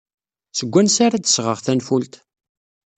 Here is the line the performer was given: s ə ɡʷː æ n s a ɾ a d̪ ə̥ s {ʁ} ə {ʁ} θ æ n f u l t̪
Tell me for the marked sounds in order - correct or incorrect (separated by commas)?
correct, correct